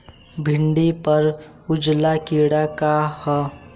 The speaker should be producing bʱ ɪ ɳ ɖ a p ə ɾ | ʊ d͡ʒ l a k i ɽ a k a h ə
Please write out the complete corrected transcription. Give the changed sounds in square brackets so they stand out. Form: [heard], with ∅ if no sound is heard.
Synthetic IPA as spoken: bʱ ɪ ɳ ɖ [i] p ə ɾ | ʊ d͡ʒ l a k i ɽ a k a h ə